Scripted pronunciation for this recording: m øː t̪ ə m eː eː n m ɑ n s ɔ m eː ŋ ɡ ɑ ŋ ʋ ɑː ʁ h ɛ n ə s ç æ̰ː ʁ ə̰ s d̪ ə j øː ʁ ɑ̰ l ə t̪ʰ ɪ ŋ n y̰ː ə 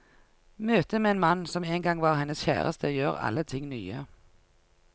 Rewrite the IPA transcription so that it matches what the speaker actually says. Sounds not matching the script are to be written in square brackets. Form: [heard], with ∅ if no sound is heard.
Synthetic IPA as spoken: m øː t̪ ə m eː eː n m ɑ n s ɔ m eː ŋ ɡ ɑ ŋ ʋ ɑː ʁ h ɛ n ə s ç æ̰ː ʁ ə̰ s [t̪] ə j øː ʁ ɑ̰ l ə t̪ʰ ɪ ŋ n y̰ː ə